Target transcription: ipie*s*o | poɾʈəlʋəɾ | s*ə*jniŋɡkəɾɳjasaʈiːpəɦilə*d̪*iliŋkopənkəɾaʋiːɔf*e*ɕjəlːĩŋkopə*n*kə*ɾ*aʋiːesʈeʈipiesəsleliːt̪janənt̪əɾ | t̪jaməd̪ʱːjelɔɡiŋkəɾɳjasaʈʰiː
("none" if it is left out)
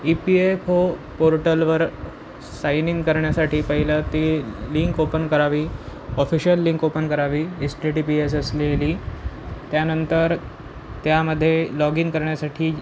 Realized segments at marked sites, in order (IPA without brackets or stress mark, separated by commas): f, a, t̪, i, n, ɾ